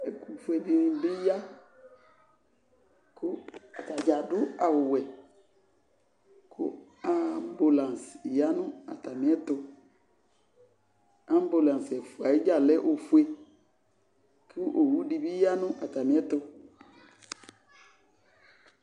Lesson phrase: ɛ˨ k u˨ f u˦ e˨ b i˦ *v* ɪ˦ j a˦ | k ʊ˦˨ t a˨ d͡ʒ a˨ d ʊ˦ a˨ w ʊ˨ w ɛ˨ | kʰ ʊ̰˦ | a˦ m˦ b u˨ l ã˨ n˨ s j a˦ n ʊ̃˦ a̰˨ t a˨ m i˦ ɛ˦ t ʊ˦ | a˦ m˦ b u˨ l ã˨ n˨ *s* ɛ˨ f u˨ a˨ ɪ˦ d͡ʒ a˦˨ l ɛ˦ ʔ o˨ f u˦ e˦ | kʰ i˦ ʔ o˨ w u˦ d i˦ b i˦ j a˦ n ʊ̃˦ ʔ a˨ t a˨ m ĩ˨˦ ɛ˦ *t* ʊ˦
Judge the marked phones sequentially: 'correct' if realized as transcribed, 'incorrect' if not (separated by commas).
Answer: incorrect, correct, correct